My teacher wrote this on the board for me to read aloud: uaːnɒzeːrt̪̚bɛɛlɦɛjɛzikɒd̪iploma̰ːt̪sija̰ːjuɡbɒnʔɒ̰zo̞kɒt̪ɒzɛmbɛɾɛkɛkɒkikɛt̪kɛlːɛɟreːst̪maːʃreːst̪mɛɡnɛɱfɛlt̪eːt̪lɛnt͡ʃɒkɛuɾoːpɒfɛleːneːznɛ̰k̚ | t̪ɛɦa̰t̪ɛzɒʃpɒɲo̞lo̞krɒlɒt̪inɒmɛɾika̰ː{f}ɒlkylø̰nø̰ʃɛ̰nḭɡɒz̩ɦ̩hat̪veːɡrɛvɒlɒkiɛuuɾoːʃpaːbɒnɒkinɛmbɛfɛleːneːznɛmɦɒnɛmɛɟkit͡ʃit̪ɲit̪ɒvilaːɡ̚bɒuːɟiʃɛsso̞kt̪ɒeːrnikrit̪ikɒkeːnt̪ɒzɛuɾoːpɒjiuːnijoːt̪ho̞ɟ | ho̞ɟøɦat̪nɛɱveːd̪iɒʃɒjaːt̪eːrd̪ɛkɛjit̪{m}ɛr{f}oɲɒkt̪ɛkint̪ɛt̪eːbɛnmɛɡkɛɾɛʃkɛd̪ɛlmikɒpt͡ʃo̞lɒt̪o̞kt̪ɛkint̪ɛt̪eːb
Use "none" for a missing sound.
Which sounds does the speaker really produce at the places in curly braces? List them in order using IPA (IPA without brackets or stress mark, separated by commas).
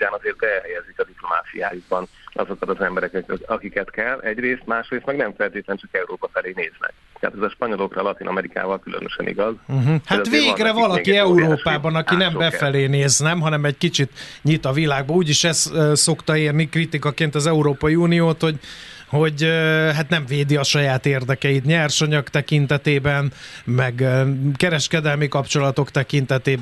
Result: v, ɲ, ʃ